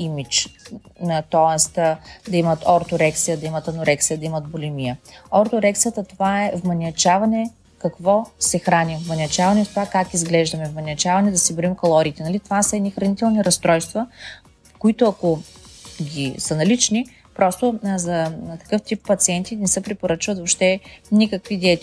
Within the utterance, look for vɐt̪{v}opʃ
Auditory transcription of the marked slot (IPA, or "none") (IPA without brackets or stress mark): v